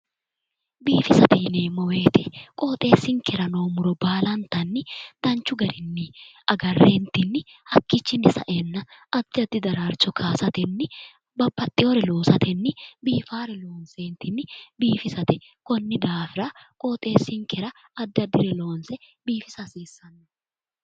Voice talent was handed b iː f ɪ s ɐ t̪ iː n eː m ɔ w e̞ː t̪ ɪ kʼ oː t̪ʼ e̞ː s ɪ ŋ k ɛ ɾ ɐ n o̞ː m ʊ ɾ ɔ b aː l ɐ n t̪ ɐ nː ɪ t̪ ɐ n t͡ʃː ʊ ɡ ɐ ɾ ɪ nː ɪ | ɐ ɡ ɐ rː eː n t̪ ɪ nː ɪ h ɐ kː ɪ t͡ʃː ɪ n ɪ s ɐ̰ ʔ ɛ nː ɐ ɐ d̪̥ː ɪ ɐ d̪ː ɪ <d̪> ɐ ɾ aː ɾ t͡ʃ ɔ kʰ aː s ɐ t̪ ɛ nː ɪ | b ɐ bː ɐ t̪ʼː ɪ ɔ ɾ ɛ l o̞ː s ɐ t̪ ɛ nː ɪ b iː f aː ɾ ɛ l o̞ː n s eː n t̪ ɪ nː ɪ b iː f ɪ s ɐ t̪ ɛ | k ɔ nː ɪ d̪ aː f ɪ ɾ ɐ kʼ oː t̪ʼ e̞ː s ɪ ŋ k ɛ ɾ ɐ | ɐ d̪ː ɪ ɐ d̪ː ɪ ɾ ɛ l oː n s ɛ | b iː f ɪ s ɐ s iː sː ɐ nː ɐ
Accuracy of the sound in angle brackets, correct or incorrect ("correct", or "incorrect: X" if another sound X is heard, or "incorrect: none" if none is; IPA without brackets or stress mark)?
correct